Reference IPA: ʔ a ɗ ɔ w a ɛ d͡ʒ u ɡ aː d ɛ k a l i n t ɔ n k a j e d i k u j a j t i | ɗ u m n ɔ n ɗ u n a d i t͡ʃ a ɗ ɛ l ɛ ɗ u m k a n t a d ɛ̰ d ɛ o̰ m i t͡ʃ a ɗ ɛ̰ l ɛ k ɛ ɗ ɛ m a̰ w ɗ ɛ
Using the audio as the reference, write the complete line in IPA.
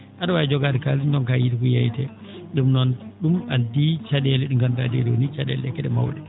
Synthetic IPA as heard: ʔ a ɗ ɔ w a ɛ d͡ʒ ɔ ɡ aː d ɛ k a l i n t ɔ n k a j i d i k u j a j t ɛ | ɗ u m n ɔ n ɗ u m a d i t͡ʃ a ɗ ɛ l ɛ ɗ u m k a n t a d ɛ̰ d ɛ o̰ n i t͡ʃ a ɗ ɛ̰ l ɛ k ɛ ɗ ɛ m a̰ w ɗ ɛ